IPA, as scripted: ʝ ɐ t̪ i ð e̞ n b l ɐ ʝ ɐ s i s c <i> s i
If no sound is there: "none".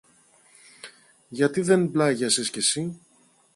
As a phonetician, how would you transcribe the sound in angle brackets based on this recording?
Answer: e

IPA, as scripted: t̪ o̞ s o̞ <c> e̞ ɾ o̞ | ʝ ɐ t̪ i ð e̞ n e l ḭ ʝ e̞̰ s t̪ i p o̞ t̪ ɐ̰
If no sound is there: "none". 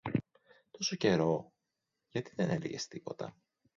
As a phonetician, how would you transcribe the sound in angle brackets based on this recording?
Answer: c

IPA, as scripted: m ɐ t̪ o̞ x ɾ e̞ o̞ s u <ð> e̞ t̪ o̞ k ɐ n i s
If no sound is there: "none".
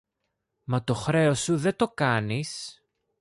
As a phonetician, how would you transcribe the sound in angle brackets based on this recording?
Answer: ð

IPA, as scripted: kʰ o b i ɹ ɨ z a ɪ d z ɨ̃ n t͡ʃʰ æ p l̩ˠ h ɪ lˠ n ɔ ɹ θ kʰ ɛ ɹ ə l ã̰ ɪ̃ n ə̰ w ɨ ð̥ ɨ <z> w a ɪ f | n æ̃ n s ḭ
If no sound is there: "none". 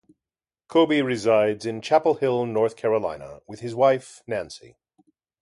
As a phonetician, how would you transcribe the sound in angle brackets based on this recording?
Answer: z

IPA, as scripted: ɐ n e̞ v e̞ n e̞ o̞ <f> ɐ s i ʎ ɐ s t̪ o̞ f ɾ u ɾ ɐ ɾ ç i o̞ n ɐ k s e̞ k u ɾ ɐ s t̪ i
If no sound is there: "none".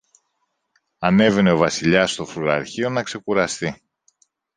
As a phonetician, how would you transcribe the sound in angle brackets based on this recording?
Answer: v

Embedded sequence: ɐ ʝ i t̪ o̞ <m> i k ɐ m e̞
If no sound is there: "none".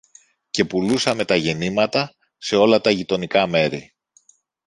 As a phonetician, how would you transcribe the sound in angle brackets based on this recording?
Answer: n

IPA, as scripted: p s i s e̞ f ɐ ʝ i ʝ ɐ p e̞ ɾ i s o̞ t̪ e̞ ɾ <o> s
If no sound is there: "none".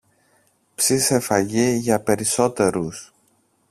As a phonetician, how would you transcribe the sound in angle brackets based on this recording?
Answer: u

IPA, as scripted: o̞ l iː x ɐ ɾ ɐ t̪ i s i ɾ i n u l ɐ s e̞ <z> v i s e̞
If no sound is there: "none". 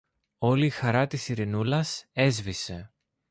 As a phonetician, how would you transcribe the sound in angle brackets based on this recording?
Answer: z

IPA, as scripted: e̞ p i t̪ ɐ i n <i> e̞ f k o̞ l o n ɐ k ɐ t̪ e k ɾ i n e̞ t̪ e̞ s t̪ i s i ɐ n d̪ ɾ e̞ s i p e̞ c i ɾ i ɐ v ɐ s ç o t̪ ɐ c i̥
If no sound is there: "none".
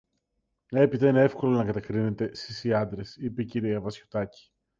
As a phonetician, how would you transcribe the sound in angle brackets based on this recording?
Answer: e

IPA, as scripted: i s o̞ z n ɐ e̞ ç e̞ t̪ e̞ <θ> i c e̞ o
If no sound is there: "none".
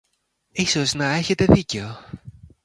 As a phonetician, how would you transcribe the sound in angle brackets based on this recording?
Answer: ð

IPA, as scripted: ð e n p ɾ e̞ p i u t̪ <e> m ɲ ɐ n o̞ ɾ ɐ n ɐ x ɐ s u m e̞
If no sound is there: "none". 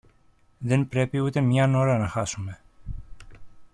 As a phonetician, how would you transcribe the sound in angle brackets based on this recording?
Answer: e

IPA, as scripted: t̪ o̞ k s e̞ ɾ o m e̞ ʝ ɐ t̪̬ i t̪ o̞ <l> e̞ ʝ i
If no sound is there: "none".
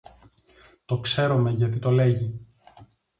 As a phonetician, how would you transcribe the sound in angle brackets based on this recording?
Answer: l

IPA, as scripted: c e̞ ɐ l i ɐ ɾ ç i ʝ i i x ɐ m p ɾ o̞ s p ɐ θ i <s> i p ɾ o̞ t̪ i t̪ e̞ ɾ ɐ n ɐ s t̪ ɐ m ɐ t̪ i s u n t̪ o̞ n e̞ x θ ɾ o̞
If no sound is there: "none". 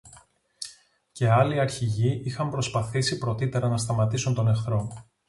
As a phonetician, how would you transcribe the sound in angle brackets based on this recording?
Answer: s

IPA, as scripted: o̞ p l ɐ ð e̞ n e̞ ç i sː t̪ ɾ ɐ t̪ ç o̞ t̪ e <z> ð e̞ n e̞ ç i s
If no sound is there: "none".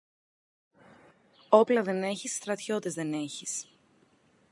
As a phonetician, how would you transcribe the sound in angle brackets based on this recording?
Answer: z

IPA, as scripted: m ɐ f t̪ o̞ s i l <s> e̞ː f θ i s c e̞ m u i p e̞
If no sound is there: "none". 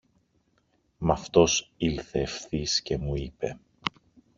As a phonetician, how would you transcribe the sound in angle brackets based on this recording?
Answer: θ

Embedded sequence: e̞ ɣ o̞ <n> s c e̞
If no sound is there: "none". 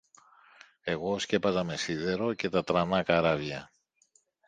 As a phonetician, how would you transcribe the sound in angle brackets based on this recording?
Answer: none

